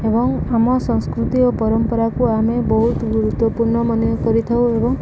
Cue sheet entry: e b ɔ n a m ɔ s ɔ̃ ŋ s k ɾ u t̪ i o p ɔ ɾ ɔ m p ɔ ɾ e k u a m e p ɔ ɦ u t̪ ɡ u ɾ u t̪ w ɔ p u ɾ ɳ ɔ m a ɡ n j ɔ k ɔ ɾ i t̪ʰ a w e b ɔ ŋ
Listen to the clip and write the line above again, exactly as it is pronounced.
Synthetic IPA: e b ɔ ŋ a m ɔ s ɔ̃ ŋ s k ɾ u t̪ i o p ɔ ɾ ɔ m p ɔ ɾ a k u a m e b ɔ ɦ u t̪ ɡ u ɾ u t̪ w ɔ p u ɾ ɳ ɔ m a n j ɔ k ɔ ɾ i t̪ʰ a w e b ɔ ŋ